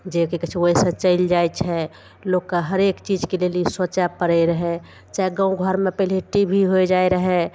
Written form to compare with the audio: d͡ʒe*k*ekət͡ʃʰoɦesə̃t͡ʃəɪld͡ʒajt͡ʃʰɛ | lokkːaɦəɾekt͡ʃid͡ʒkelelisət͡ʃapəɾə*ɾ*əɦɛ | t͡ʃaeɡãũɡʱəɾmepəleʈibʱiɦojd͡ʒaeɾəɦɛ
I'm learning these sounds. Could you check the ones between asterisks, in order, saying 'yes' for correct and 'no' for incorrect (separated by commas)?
yes, yes